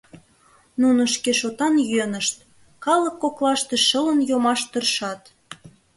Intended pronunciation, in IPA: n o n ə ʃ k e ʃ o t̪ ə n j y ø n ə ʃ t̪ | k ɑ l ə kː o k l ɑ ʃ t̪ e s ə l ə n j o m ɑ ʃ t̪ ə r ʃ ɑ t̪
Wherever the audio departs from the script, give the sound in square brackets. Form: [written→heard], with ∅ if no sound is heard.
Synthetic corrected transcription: n [o→u] n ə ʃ k e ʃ o t̪ [ə→ɑ] n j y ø n ə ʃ t̪ | k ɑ l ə kː o k l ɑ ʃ t̪ e [s→ʃ] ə l ə n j o m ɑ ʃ t̪ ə r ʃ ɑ t̪